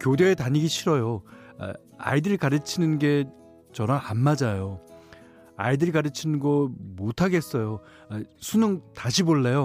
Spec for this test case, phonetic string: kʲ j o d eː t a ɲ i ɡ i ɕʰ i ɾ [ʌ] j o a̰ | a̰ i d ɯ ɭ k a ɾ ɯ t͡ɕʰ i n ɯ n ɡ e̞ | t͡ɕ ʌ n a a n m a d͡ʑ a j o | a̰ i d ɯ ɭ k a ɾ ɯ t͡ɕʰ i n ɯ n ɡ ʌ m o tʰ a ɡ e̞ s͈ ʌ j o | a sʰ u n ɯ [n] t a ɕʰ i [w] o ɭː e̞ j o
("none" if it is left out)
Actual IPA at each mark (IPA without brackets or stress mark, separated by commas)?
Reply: ʌ, ŋ, b